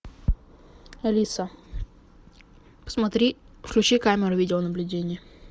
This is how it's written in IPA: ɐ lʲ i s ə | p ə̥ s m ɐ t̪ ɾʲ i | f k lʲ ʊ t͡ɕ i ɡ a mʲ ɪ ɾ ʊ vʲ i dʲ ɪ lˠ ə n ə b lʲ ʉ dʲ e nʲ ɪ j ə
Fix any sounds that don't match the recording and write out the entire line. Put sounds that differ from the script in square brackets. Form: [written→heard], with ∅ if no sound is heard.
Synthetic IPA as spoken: ɐ lʲ i s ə | p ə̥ s m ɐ t̪ ɾʲ i | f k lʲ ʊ t͡ɕ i [ɡ→k] a mʲ ɪ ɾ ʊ vʲ i dʲ ɪ lˠ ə n ə b lʲ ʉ dʲ e nʲ ɪ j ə